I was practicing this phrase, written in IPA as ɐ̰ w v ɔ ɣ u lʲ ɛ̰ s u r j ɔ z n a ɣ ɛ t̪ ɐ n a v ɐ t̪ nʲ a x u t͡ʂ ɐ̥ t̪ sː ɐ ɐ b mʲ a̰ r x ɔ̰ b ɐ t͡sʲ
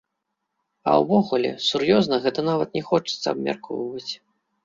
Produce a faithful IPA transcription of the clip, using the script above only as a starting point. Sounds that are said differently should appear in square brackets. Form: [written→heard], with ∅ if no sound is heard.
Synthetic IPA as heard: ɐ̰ w v ɔ ɣ u lʲ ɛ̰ s u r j ɔ z n [a→ɐ] ɣ ɛ t̪ ɐ n a v ɐ t̪ nʲ [a→ɛ] x [u→ɔ] t͡ʂ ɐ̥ t̪ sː ɐ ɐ b mʲ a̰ r [x→k] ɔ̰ [b→v] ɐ t͡sʲ